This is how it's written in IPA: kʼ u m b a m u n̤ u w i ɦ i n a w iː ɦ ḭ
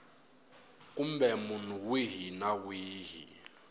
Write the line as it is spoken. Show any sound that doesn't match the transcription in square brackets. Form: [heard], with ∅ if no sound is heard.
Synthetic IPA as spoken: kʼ u m b [ɛ] m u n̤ u w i ɦ i n a w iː ɦ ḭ